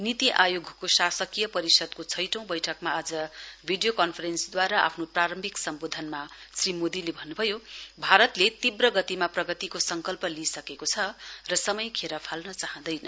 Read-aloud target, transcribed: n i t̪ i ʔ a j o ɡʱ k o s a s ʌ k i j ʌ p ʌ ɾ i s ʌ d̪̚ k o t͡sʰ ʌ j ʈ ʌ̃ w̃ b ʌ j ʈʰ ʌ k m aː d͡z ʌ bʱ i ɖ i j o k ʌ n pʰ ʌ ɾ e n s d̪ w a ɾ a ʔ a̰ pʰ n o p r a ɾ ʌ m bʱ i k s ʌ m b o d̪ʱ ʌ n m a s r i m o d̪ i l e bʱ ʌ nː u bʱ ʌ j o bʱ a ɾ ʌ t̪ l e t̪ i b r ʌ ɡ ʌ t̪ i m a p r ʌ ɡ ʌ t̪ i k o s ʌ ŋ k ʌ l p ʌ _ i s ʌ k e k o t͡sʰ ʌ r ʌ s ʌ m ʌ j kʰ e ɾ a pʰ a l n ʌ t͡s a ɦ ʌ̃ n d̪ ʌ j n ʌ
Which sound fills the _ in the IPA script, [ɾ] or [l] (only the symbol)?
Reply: l